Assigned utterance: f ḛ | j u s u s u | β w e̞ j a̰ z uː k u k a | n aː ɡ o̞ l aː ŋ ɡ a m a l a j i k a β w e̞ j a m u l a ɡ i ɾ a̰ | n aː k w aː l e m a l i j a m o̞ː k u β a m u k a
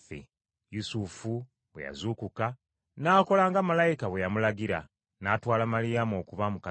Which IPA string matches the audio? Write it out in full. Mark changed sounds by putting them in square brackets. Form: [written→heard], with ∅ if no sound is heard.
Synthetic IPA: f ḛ | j u s u [s→f] u | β w e̞ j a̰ z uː k u k a | n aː [ɡ→k] o̞ l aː ŋ ɡ a m a l a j i k a β w e̞ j a m u l a ɡ i ɾ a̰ | n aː [k→t] w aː l [e→a] m a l i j a m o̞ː k u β a m u k a